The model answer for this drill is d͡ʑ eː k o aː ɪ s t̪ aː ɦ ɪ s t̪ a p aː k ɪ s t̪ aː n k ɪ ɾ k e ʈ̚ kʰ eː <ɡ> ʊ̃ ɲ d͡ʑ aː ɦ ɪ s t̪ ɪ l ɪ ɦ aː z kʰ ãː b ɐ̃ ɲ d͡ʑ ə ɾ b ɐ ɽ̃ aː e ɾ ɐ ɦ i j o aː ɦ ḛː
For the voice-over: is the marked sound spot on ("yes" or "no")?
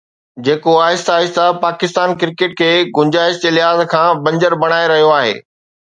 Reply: yes